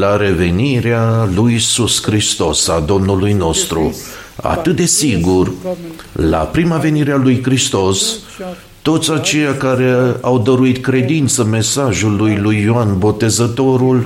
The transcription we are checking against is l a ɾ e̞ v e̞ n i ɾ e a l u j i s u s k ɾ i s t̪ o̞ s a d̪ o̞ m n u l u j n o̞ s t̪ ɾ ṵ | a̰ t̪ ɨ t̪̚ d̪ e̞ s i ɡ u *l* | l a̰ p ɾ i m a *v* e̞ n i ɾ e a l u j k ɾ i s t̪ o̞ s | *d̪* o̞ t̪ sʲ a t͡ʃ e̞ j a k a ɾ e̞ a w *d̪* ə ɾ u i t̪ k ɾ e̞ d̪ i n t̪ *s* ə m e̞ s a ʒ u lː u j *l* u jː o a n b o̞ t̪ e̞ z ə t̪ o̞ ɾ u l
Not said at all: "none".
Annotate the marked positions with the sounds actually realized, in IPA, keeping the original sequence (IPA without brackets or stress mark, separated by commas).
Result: r, v, t̪, d̪, s, l